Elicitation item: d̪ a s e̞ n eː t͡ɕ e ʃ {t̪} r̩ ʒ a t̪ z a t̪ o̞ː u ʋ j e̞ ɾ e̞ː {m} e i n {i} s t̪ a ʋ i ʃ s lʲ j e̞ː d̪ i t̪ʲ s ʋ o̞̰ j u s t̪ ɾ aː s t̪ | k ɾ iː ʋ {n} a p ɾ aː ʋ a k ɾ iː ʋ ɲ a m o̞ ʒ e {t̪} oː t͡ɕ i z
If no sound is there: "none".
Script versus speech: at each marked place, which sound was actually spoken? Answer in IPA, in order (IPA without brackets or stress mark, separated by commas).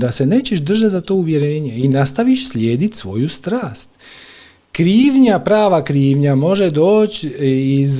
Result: d̪, ɲ, a, ɲ, d̪